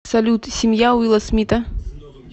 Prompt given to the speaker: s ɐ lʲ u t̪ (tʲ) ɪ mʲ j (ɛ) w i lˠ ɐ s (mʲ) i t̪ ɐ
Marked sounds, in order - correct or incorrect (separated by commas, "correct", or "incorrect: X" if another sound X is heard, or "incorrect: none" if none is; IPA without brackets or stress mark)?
incorrect: sʲ, incorrect: a, correct